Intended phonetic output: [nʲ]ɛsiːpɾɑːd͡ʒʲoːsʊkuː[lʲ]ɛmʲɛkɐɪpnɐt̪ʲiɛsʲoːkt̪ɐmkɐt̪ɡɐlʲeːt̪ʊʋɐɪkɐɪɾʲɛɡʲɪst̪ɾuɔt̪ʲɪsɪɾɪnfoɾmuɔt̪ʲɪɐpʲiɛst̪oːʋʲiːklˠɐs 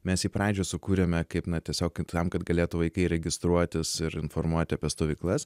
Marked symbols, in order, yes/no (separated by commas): no, no